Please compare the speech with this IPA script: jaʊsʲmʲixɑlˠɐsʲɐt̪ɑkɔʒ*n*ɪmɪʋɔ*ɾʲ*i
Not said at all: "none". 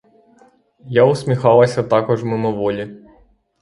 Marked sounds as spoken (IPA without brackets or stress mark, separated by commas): m, lʲ